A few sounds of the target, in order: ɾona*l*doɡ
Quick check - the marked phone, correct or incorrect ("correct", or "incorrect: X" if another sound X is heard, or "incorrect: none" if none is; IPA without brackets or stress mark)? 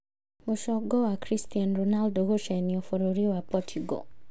correct